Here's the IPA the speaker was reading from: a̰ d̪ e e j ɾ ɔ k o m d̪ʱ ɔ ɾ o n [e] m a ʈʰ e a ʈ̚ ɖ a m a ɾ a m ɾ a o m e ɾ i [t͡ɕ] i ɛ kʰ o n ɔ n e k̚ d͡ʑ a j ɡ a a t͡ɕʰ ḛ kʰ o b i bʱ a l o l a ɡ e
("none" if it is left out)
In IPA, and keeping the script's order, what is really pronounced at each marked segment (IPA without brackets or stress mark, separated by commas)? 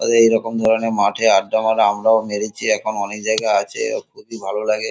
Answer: e, t͡ɕʰ